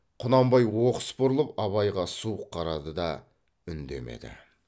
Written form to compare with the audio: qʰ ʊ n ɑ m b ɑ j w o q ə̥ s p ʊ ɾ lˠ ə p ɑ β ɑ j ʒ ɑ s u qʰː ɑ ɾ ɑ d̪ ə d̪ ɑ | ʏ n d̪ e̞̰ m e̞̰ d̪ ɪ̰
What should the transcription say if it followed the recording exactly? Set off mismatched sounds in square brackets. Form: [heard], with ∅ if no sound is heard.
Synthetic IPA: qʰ ʊ n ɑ m b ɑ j w o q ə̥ s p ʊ ɾ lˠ ə p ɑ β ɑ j [ʁ] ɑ s u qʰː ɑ ɾ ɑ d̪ ə d̪ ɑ | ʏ n d̪ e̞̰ m e̞̰ d̪ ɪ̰